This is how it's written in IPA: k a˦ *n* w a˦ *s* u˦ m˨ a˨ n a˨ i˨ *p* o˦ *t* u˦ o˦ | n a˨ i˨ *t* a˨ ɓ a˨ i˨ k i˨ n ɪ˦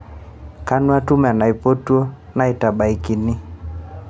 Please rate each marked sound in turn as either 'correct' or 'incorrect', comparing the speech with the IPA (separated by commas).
correct, incorrect, correct, correct, correct